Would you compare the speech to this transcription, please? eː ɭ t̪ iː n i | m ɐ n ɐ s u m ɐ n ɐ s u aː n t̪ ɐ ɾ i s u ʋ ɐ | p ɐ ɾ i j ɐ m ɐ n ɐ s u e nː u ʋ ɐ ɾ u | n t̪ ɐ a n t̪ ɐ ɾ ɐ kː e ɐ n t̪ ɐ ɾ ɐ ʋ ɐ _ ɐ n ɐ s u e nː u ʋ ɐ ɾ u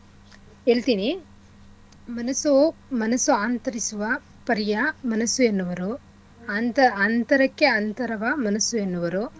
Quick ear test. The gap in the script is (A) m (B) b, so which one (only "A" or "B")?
A